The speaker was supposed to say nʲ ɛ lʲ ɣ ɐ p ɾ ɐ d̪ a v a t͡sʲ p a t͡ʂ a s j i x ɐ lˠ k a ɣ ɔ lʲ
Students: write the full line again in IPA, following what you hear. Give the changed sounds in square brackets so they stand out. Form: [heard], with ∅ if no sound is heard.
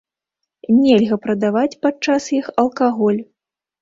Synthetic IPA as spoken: nʲ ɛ lʲ ɣ ɐ p ɾ ɐ d̪ a v a t͡sʲ p a t͡ʂ a s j i x ɐ lˠ k a ɣ ɔ lʲ